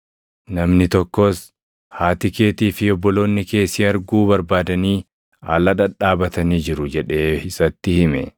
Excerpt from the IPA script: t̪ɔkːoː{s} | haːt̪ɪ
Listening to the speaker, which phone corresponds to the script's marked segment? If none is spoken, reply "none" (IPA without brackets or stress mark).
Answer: s